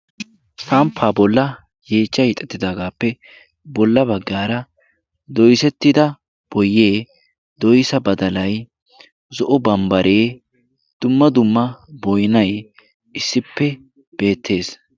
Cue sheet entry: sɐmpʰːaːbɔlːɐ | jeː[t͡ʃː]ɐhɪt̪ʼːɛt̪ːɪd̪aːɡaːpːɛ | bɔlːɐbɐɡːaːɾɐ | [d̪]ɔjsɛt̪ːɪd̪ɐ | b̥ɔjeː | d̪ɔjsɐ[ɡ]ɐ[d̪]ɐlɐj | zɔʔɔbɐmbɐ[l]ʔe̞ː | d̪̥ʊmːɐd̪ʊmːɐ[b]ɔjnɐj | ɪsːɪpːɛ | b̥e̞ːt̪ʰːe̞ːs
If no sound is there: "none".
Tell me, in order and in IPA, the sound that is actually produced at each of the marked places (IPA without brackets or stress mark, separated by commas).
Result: t͡ʃː, d̪, b, d̪, ɾ, b